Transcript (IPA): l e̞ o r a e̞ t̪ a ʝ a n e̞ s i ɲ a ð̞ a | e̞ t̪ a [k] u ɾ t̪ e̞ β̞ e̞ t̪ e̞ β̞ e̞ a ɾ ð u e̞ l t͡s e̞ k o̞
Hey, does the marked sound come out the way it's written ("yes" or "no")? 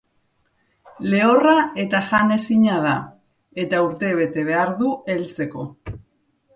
no